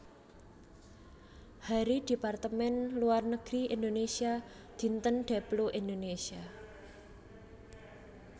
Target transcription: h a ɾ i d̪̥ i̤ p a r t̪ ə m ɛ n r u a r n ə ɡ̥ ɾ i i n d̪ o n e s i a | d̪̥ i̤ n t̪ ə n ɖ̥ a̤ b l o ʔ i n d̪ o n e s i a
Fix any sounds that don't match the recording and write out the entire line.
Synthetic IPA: h a ɾ i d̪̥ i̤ p a r t̪ ə m ɛ n l u a r n ə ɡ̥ ɾ i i n d̪ o n e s i a | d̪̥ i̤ n t̪ ə n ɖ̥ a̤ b l o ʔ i n d̪ o n e s i a